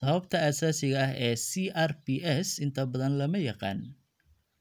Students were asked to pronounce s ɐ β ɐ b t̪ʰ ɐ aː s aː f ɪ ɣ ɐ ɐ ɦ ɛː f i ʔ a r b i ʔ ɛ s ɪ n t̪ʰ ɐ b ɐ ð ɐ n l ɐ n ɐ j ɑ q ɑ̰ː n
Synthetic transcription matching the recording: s ɐ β ɐ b t̪ʰ ɐ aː s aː s ɪ ɣ ɐ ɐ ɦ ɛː s i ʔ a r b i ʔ ɛ s ɪ n t̪ʰ ɐ b ɐ ð ɐ n l ɐ m ɐ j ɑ q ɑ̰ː n